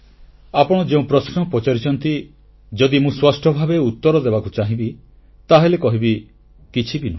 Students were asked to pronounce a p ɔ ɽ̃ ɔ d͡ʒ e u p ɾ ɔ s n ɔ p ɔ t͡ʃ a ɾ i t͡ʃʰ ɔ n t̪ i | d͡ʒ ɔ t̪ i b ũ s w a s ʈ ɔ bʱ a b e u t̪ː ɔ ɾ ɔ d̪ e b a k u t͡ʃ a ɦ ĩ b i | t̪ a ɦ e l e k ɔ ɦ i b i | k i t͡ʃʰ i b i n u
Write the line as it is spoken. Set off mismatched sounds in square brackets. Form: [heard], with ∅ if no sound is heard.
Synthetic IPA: a p ɔ ɽ̃ ɔ d͡ʒ e [ũ] p ɾ ɔ s n ɔ p ɔ t͡ʃ a ɾ i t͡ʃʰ ɔ n t̪ i | d͡ʒ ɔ [d̪] i [m] ũ s w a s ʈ ɔ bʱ a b e u t̪ː ɔ ɾ ɔ d̪ e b a k u t͡ʃ a ɦ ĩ b i | t̪ a ɦ e l e k ɔ ɦ i b i | k i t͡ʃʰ i b i n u